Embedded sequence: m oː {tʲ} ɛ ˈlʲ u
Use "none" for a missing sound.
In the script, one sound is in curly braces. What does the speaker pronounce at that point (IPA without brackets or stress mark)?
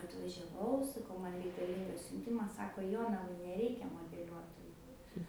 dʲ